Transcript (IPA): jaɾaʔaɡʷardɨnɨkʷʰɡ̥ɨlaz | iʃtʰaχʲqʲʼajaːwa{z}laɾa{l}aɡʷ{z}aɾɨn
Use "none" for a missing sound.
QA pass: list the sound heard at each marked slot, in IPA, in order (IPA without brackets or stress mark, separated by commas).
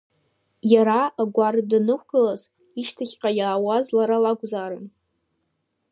z, l, z